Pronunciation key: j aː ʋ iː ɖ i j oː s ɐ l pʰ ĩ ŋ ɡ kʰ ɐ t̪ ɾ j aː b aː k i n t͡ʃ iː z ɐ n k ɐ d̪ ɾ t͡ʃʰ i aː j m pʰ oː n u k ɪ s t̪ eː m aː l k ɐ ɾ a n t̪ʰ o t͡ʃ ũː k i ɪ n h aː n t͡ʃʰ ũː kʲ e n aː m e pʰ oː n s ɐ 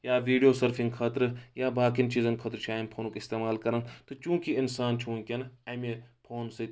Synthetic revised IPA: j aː ʋ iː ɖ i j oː s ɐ ɾ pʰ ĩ ŋ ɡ kʰ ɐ t̪ ɾ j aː b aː k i n t͡ʃ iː z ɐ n kʰ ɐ t̪ ɾ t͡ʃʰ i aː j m pʰ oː n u k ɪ s t̪ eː m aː l k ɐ ɾ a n t̪ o t͡ʃ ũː k i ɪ n s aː n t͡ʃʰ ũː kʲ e n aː m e pʰ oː n s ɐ